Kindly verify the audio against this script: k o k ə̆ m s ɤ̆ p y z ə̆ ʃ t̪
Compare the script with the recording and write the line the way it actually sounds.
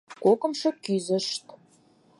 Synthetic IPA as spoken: k o k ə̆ m ʃ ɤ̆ k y z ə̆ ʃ t̪

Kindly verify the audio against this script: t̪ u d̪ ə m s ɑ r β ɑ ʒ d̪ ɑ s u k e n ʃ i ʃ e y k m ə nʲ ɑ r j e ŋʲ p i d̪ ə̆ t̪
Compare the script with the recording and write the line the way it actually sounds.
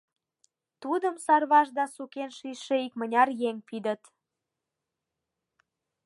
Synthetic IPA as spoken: t̪ u d̪ ə m s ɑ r β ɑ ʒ d̪ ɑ s u k e n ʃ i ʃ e i k m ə nʲ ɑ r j e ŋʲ p i d̪ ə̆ t̪

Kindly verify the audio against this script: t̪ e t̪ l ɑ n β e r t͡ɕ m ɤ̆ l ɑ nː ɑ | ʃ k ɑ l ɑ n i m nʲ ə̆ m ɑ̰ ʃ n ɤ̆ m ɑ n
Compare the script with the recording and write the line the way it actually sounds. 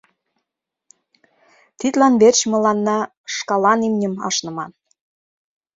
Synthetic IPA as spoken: t̪ i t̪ l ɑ n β e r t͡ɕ m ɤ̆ l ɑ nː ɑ | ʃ k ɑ l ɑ n i m nʲ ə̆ m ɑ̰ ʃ n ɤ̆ m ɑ n

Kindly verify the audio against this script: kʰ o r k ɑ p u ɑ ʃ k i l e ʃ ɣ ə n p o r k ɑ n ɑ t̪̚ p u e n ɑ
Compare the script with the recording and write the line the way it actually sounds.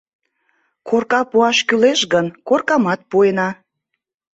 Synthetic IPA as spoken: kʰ o r k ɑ p u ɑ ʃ k y l e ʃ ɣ ə n k o r k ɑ m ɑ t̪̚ p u e n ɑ

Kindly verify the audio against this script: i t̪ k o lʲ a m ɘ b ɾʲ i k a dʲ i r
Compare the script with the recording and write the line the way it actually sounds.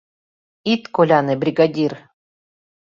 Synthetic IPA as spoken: i t̪ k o lʲ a n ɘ b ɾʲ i ɡ a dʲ i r

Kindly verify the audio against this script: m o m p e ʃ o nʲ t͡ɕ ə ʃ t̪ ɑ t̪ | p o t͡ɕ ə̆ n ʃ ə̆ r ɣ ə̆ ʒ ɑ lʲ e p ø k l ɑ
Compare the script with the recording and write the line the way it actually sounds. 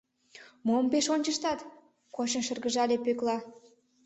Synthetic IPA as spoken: m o m p e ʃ o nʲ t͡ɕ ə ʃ t̪ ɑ t̪ | k o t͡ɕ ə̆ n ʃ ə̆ r ɣ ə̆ ʒ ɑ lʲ e p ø k l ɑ

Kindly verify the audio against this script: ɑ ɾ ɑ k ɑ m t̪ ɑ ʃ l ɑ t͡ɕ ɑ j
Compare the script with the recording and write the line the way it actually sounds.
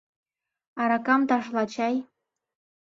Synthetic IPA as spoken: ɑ ɾ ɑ k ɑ m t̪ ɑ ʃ l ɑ t͡ɕ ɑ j

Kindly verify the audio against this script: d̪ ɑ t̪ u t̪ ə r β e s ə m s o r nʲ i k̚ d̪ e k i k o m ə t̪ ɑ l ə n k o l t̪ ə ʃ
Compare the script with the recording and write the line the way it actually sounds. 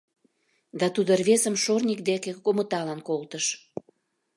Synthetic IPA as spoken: d̪ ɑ t̪ u d̪ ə r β e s ə m ʃ o r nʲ i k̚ d̪ e k e k o m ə t̪ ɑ l ɑ n k o l t̪ ə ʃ

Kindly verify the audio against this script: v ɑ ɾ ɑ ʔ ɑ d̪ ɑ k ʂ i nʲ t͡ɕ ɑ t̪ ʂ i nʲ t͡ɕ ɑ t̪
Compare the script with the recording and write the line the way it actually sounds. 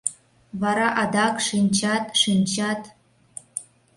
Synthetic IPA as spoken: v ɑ ɾ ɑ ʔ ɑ d̪ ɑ k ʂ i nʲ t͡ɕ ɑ t̪ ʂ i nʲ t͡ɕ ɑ t̪

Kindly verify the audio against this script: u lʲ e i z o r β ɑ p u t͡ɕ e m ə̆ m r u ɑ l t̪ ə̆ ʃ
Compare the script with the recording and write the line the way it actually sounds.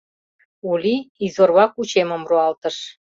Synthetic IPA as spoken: u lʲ i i z o r β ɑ k u t͡ɕ e m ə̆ m r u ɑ l t̪ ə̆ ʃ

